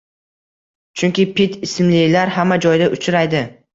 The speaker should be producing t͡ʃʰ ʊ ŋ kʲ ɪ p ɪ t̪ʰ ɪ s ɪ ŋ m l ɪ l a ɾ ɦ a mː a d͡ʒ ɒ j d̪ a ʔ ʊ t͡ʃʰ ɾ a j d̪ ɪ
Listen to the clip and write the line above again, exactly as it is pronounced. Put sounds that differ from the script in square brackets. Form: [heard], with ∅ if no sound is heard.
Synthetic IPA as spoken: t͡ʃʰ ʊ ŋ kʲ ɪ p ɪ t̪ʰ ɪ s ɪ [∅] m l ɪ l a ɾ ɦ a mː a d͡ʒ ɒ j d̪ a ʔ ʊ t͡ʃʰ ɾ a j d̪ ɪ

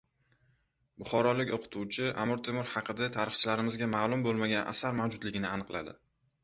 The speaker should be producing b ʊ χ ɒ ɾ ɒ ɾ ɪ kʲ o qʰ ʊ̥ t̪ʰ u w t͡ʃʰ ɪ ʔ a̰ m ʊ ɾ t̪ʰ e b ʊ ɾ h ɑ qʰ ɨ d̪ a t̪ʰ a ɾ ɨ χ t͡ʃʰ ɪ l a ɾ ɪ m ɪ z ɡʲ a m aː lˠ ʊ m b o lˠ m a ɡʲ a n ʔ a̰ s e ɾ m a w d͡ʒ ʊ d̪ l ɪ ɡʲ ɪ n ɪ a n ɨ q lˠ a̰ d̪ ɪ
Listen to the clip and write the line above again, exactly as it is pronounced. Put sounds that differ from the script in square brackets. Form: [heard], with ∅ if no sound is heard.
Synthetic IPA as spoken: b ʊ χ ɒ ɾ ɒ [l] ɪ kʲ o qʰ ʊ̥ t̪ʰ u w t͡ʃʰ ɪ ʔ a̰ m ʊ ɾ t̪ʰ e [m] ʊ ɾ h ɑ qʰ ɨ d̪ a t̪ʰ a ɾ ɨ χ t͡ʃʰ ɪ l a ɾ ɪ m ɪ z ɡʲ a m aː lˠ ʊ m b o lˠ m a ɡʲ a n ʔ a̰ s [a] ɾ m a w d͡ʒ ʊ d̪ l ɪ ɡʲ ɪ n ɪ a n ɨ q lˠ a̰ d̪ ɪ

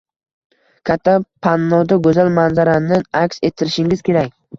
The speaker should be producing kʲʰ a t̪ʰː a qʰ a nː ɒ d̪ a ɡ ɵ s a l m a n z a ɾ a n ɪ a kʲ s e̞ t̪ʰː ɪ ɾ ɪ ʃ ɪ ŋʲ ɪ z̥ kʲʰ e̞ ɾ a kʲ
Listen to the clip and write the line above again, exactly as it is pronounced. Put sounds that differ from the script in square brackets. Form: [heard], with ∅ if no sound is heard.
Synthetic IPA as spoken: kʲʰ a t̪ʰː a [pʰ] a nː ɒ d̪ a ɡ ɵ [z] a l m a n z a ɾ a n ɪ a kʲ s e̞ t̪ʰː ɪ ɾ ɪ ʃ ɪ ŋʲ ɪ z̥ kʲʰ e̞ ɾ a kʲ

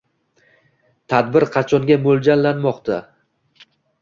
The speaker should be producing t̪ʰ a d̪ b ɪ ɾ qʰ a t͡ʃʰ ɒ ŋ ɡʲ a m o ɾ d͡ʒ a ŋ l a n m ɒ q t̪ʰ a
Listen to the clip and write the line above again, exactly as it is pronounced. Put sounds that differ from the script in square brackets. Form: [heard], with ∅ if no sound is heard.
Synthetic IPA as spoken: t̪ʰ a d̪ b ɪ ɾ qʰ [ɑ] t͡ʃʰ ɒ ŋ ɡʲ a m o [l] d͡ʒ a [n] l a n m ɒ q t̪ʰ a

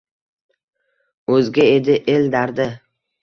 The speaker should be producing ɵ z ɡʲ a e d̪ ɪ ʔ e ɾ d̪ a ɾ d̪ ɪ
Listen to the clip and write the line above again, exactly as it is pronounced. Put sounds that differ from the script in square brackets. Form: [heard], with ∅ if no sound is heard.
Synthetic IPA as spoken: ɵ z ɡʲ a e d̪ ɪ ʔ e [l] d̪ a ɾ d̪ ɪ

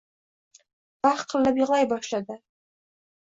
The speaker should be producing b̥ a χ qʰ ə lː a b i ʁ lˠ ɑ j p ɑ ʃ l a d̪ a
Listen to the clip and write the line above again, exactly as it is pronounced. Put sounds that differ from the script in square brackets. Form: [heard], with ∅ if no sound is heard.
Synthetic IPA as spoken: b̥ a χ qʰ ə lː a b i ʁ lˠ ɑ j [b] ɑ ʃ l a d̪ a

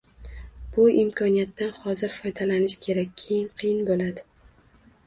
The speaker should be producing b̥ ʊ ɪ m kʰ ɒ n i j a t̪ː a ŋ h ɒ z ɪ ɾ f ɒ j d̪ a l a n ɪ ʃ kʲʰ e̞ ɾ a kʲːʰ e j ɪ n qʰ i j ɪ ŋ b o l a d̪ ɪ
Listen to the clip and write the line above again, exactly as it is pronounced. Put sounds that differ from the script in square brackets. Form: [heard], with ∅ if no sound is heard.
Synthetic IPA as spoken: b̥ ʊ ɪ m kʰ ɒ n i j a t̪ː a [n] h ɒ z ɪ ɾ f ɒ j d̪ a l a n ɪ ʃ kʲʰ e̞ ɾ a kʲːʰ e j ɪ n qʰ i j ɪ [n] b o l a d̪ ɪ

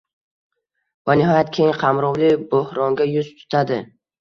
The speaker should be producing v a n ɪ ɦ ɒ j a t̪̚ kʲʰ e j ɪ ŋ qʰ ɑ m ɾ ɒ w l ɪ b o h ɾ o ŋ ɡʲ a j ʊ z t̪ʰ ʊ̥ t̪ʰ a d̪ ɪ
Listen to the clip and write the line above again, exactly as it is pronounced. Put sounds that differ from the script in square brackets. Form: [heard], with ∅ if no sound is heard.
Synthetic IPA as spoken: v a n ɪ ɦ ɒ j a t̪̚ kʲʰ e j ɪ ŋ qʰ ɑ m ɾ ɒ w l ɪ b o h ɾ [ɒ] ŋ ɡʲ a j ʊ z t̪ʰ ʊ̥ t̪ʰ a d̪ ɪ

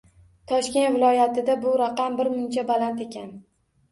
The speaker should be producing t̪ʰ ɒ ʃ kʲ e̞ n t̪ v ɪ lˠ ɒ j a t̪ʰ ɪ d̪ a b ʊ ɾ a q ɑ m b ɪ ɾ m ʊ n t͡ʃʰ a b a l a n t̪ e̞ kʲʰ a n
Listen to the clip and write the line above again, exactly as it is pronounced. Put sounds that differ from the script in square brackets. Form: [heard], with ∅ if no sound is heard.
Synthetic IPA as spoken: t̪ʰ ɒ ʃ kʲ e̞ n t̪ v ɪ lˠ ɒ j a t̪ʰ ɪ d̪ a b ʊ ɾ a q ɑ m b ɪ ɾ m ʊ n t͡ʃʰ a b a l a n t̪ e̞ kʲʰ a n

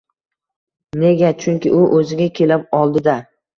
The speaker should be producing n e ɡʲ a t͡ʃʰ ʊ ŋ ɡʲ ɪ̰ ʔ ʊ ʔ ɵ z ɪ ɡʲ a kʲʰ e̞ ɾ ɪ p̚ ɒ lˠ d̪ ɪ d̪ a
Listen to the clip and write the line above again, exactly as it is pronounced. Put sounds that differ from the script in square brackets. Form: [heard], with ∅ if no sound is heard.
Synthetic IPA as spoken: n e ɡʲ a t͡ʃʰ ʊ ŋ [kʲ] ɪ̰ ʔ ʊ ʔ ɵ z ɪ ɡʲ a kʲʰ e̞ [l] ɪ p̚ ɒ lˠ d̪ ɪ d̪ a

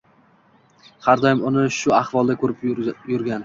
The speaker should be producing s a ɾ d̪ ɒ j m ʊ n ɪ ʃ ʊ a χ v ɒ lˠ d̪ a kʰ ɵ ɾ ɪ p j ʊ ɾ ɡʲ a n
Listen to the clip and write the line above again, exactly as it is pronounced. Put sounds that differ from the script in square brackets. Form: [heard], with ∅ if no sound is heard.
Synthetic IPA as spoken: [h] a ɾ d̪ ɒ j m ʊ n ɪ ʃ ʊ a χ v ɒ lˠ d̪ a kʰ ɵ ɾ ɪ p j ʊ ɾ ɡʲ a n

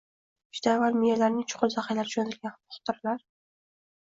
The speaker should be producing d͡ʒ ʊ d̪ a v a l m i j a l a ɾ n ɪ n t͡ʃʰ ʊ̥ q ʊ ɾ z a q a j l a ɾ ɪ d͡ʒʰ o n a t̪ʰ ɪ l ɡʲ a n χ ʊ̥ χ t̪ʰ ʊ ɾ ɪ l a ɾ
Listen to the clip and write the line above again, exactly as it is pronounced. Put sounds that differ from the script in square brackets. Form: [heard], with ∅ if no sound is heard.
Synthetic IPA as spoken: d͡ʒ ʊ d̪ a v a l m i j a l a ɾ n ɪ [ŋ] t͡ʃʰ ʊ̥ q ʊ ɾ z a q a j l a ɾ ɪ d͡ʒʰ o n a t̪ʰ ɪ l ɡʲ a n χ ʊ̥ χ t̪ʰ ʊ ɾ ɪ l a ɾ

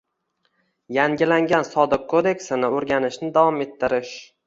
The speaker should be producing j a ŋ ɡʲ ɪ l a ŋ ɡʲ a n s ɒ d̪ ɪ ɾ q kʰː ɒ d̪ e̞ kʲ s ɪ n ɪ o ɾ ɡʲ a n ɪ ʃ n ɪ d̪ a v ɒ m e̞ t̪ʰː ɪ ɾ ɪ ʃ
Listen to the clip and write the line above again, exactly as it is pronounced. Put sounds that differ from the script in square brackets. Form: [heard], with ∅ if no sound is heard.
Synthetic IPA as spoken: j a ŋ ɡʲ ɪ l a ŋ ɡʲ a n s ɒ d̪ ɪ [∅] q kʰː [o] d̪ e̞ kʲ s ɪ n ɪ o ɾ ɡʲ a n ɪ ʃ n ɪ d̪ a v ɒ m e̞ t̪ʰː ɪ ɾ ɪ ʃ

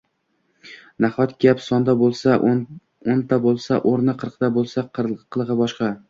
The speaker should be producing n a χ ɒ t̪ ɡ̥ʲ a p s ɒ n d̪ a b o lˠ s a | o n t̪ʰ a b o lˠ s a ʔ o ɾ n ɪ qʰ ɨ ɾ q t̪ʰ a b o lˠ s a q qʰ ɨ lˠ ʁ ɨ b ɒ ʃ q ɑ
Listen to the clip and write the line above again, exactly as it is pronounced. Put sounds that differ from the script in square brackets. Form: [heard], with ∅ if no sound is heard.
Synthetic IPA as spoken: n a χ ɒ t̪ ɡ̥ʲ a p s ɒ n d̪ a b o lˠ s a | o n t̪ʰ a b o lˠ s a ʔ o ɾ n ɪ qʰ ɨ ɾ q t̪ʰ a b o lˠ s a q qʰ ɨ lˠ ʁ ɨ b ɒ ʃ q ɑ

